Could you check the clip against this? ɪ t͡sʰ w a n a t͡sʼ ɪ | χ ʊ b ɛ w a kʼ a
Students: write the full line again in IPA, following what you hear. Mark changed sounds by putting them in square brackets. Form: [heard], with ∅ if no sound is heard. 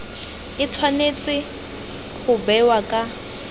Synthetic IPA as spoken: ɪ t͡sʰ w a n [e] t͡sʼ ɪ | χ ʊ b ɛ w a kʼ a